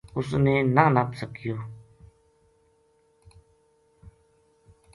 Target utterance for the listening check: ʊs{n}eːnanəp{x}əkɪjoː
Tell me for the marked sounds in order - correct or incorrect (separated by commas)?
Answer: correct, incorrect